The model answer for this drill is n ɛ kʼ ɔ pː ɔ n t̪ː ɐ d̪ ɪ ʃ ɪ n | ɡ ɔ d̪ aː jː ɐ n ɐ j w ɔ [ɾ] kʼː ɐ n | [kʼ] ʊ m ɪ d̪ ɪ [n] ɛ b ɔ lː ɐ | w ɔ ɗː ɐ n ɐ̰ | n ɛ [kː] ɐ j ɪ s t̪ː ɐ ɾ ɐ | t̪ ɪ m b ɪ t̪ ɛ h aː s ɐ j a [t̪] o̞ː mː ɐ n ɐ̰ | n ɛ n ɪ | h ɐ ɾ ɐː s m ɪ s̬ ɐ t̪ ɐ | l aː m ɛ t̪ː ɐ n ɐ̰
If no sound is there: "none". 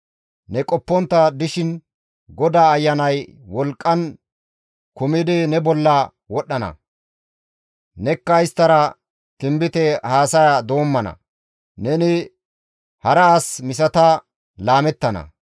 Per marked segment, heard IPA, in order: l, k, n, kː, d̪

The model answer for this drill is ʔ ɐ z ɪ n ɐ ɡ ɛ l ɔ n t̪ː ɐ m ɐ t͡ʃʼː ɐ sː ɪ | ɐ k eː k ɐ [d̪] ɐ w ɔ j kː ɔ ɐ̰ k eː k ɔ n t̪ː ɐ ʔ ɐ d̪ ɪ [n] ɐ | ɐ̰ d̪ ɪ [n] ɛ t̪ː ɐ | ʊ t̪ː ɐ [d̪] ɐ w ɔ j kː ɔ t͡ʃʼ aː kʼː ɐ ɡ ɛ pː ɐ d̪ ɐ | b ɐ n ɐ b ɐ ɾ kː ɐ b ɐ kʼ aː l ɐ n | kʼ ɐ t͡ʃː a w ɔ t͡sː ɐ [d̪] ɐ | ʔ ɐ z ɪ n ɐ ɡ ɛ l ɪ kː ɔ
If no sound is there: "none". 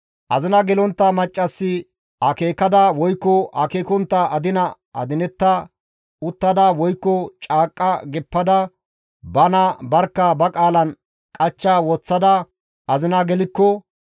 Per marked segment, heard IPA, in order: d̪, n, n, d̪, d̪

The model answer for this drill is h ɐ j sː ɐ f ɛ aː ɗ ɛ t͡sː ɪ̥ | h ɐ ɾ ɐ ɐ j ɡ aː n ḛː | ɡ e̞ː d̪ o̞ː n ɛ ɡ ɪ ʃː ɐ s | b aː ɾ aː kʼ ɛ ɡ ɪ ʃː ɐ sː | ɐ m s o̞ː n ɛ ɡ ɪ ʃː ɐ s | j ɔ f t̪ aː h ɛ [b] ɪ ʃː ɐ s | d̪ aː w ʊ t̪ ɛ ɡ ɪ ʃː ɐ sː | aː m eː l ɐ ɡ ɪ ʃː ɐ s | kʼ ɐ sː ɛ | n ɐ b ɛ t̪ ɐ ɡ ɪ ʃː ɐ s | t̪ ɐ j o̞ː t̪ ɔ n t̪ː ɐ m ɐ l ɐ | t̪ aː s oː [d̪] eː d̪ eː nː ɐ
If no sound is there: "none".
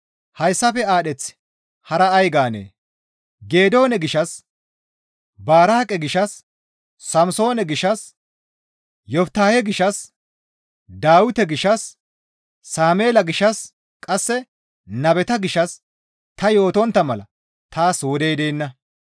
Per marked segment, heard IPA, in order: ɡ, d̪

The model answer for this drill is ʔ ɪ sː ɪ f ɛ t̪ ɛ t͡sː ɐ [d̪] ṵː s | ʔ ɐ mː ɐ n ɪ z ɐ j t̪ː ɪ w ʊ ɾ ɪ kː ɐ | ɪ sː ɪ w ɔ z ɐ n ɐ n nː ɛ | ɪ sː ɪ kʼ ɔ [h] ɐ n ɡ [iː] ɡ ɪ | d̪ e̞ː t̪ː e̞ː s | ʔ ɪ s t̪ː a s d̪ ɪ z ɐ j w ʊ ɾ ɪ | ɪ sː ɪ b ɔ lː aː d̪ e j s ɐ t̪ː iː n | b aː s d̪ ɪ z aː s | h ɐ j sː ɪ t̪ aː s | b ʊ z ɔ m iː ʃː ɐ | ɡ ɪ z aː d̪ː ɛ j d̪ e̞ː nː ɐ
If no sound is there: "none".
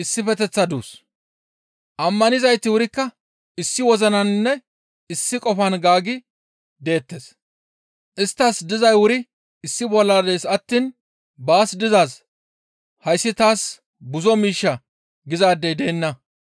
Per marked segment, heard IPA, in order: d̪, f, aː

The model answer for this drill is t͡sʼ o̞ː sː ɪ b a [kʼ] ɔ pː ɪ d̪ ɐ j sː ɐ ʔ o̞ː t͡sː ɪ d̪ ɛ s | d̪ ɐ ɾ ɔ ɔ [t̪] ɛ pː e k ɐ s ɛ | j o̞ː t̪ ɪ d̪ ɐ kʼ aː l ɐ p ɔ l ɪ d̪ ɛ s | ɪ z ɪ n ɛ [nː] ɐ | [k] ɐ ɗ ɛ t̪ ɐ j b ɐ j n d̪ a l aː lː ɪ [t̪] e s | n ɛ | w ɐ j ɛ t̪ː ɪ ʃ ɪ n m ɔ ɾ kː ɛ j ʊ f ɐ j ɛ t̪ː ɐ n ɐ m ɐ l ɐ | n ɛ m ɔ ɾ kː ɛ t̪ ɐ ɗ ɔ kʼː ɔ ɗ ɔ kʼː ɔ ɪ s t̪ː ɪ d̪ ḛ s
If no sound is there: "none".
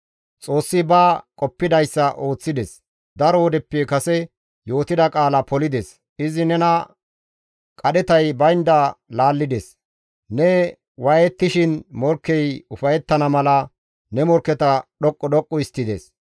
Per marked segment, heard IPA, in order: kʼ, d̪, n, kʼ, d̪

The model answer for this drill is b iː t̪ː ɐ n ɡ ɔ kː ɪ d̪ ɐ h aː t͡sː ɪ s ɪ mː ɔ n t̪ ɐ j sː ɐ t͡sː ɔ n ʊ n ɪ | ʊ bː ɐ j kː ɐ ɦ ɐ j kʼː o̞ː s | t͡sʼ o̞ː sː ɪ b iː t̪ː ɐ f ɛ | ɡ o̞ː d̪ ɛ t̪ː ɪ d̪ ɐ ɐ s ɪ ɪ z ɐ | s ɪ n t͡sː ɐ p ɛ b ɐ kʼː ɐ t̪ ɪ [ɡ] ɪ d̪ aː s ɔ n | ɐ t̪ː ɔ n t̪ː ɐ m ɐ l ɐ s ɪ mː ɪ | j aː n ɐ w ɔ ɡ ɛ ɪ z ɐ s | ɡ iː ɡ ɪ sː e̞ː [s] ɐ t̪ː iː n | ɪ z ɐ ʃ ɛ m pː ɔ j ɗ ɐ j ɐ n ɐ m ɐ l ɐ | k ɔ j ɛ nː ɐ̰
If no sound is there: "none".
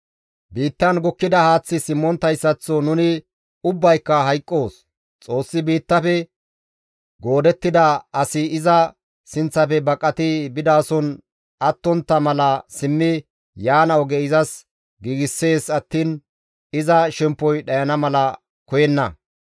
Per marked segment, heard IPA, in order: b, s

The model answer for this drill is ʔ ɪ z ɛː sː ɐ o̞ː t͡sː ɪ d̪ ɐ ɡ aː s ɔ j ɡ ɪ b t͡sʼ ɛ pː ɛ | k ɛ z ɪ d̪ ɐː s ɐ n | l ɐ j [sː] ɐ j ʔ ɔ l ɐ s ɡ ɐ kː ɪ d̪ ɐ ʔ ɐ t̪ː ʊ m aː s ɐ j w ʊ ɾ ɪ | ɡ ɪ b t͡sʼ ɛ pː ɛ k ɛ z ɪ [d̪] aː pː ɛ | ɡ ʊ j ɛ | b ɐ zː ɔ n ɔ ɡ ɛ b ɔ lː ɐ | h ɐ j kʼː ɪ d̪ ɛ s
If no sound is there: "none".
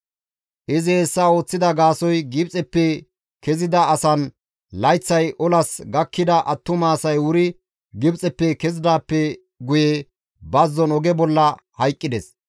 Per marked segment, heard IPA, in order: t͡sː, d̪

